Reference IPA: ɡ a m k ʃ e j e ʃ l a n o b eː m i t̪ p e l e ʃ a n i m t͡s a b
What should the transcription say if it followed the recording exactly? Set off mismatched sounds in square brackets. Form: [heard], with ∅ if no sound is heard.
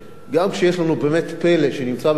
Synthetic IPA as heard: ɡ a m k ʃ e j e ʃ l a n [u] b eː m [e] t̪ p e l e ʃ [e] n i m t͡s a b